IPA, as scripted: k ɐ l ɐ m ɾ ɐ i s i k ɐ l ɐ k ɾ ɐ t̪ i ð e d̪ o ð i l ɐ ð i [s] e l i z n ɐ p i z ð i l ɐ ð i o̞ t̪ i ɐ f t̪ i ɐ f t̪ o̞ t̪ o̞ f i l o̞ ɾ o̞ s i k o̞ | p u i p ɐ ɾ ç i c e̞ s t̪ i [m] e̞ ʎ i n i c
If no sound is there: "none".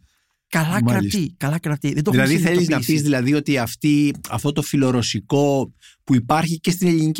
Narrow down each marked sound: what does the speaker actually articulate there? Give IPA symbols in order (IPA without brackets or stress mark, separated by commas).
θ, n